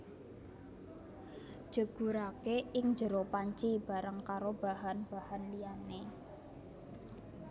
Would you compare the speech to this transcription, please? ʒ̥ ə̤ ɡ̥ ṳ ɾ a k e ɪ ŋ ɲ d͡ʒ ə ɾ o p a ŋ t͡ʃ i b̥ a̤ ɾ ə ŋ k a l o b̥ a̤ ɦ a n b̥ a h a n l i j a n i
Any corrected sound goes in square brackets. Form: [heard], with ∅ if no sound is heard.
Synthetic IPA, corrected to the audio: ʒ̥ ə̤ ɡ̥ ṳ ɾ a k e ɪ ŋ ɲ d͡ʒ ə ɾ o p a [ɲ] t͡ʃ i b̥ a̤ ɾ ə ŋ k a [ɾ] o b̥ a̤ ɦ a n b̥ a h a n l i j a n [e]